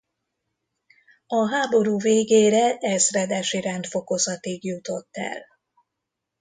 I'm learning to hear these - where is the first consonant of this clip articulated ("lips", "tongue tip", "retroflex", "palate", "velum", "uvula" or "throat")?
throat